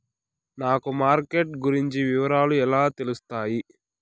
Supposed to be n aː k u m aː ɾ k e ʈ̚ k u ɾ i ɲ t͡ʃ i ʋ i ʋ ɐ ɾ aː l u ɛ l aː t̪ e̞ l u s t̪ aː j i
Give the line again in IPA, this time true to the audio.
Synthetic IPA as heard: n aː k u m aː ɾ k e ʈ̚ ɡ u ɾ i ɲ t͡ʃ i ʋ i ʋ ɐ ɾ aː l u ɛ l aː t̪ e̞ l u s t̪ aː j i